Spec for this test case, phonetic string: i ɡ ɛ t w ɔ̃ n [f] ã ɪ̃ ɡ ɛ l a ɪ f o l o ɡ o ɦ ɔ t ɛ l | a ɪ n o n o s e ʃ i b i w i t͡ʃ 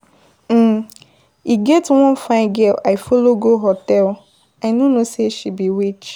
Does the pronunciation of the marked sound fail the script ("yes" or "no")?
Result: no